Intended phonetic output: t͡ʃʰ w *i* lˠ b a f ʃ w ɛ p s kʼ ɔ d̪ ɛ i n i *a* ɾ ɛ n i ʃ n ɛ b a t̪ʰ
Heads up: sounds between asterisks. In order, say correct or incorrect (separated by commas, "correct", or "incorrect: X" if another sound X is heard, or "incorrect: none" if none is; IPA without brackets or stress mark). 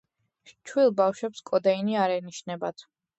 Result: correct, correct